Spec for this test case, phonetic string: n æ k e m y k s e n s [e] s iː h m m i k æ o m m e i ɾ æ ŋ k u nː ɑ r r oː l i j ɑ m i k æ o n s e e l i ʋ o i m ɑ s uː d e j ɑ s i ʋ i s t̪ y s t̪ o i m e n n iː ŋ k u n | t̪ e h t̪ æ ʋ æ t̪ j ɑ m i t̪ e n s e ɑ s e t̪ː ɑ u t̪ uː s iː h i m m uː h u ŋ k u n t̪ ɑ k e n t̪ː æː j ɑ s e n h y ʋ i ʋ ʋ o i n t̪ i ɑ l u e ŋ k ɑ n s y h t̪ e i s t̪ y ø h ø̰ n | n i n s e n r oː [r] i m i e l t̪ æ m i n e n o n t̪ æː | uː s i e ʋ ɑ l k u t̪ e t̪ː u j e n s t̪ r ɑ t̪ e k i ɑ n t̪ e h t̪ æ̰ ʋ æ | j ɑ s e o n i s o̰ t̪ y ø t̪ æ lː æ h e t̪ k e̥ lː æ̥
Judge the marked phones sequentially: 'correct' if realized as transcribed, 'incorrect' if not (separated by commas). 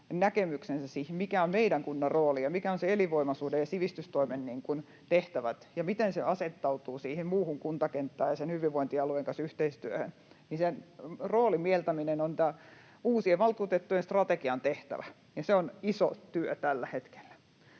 incorrect, incorrect